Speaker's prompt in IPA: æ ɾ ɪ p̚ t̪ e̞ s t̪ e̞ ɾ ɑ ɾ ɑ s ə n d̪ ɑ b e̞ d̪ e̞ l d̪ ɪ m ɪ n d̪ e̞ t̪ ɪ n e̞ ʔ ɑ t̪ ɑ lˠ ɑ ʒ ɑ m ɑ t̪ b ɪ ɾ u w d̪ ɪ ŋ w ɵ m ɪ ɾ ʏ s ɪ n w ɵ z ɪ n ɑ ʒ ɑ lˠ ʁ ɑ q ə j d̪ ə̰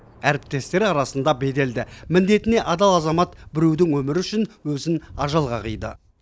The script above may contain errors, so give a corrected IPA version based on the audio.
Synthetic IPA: æ ɾ ɪ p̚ t̪ e̞ s t̪ e̞ ɾ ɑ ɾ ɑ s ə n d̪ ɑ b e̞ d̪ e̞ l d̪ ɪ m ɪ n d̪ e̞ t̪ ɪ n e̞ ʔ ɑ d̪ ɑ lˠ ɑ z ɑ m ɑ t̪ b ɪ ɾ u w d̪ ɪ ŋ w ɵ m ɪ ɾ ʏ ʃ ɪ n w ɵ z ɪ n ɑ ʒ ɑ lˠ ʁ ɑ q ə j d̪ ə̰